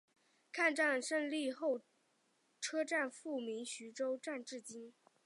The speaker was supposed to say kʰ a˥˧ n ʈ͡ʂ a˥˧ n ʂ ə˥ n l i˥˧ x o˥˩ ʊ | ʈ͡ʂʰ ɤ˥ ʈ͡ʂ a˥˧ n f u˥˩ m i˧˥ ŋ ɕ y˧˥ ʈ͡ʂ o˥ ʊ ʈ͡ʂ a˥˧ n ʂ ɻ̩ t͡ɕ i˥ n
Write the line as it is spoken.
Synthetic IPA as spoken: kʰ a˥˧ n ʈ͡ʂ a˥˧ n ʂ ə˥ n l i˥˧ x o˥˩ ʊ | ʈ͡ʂʰ ɤ˥ ʈ͡ʂ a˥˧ n f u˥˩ m i˧˥ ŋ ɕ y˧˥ ʈ͡ʂ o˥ ʊ ʈ͡ʂ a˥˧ n ʈ͡ʂ ɻ̩ t͡ɕ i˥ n